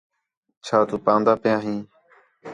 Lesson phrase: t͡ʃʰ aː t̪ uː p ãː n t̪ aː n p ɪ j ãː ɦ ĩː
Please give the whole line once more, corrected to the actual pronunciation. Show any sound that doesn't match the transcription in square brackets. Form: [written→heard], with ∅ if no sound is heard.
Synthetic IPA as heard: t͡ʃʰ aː t̪ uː p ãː n [t̪→d̪] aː [n→∅] p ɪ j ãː ɦ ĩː